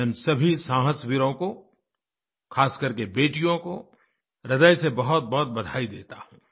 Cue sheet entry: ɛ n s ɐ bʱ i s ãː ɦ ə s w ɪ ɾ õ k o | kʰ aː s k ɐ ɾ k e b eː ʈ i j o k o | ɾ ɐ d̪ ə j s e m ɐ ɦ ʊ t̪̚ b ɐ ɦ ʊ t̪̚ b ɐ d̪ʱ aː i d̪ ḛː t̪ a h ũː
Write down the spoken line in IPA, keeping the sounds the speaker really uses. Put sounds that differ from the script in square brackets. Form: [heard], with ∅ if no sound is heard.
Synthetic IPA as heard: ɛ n s ɐ bʱ i s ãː ɦ ə s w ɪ ɾ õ k o | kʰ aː s k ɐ ɾ k e b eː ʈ i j [õ] k o | ɾ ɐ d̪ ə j s e [b] ɐ ɦ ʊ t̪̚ b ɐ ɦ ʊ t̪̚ b ɐ d̪ʱ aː i d̪ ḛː t̪ a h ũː